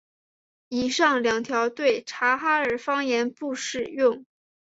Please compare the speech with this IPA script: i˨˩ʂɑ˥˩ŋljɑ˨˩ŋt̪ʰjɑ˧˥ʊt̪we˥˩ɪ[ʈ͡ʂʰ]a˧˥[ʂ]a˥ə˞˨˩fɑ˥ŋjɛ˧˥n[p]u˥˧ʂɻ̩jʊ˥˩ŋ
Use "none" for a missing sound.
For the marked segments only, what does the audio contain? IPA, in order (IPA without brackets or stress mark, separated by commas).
ʈ͡ʂʰ, x, p